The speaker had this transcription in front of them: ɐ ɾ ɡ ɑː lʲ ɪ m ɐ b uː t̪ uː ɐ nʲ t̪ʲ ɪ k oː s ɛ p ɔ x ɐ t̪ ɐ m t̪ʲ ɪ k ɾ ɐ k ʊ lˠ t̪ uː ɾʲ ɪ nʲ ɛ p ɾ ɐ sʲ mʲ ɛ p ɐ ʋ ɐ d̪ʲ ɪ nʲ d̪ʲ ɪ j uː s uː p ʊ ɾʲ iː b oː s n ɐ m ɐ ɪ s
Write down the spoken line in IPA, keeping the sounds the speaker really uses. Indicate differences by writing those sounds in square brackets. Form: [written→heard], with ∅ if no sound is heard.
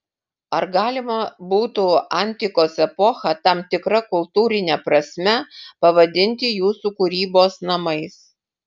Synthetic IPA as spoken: ɐ ɾ ɡ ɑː lʲ ɪ m ɐ b uː t̪ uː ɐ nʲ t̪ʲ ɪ k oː s ɛ p ɔ x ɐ t̪ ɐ m t̪ʲ ɪ k ɾ ɐ k ʊ lˠ t̪ uː ɾʲ ɪ nʲ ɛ p ɾ ɐ sʲ mʲ ɛ p ɐ ʋ ɐ d̪ʲ ɪ nʲ [d̪ʲ→t̪ʲ] ɪ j uː s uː [p→k] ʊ ɾʲ iː b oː s n ɐ m ɐ ɪ s